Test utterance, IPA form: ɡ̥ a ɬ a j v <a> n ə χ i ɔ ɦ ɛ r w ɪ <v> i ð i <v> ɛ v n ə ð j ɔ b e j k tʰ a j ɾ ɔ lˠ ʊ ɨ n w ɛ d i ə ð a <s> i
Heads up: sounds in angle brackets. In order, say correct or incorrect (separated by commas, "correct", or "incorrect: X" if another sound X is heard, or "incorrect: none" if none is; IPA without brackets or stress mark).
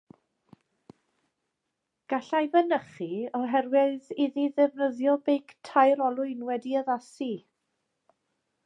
incorrect: ə, incorrect: ð, incorrect: ð, correct